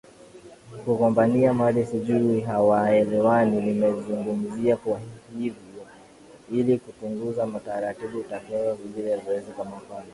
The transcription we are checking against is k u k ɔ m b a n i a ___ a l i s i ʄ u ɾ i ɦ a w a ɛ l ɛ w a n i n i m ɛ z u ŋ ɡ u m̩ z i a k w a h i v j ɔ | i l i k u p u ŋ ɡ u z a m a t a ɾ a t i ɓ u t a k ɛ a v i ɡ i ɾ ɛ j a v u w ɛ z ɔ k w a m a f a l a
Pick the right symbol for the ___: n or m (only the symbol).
m